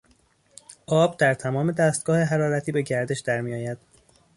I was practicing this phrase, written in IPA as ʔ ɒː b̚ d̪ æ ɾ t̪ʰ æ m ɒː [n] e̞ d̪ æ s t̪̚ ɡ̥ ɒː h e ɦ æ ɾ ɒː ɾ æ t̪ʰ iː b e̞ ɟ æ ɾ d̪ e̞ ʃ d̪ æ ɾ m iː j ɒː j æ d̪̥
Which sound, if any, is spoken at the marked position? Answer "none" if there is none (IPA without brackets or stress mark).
m